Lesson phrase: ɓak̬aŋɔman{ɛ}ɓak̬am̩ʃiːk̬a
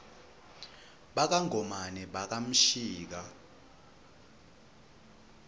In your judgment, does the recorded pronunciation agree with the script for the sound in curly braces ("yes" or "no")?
yes